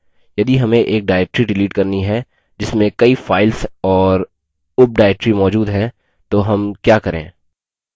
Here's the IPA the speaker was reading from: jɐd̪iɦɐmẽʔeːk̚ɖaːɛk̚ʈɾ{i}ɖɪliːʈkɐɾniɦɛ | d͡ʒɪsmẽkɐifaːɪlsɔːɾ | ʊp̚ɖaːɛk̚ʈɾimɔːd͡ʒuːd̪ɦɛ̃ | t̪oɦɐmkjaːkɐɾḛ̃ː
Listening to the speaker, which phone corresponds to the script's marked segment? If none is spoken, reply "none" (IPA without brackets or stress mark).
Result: i